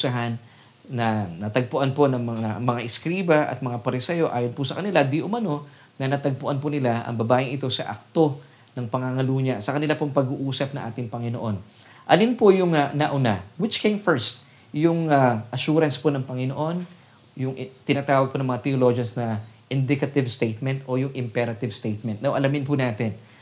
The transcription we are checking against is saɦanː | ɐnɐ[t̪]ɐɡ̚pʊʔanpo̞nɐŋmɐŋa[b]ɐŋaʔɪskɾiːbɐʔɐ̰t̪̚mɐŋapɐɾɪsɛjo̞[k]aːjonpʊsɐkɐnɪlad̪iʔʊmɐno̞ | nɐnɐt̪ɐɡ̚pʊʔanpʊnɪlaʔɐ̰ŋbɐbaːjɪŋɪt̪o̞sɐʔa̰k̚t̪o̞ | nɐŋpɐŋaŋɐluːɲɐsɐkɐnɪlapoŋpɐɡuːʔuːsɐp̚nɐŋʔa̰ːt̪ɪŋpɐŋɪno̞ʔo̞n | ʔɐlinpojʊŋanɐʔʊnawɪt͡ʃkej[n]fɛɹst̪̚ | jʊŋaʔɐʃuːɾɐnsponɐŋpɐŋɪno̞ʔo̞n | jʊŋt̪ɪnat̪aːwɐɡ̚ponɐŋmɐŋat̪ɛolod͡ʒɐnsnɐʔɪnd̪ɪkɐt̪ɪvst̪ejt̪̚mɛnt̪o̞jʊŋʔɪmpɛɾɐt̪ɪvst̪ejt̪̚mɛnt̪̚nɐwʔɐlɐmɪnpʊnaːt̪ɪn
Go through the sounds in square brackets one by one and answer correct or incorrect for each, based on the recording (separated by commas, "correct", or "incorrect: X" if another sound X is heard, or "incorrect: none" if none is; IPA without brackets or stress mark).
correct, incorrect: m, incorrect: ʔ, incorrect: m